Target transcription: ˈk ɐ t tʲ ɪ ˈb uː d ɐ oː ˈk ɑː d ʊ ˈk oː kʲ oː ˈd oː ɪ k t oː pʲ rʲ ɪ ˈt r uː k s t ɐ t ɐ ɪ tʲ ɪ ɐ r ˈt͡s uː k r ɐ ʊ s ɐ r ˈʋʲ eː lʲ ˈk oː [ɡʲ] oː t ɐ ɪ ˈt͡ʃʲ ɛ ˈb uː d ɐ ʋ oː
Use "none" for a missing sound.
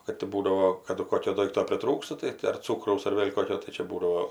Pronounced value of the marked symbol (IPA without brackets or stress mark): kʲ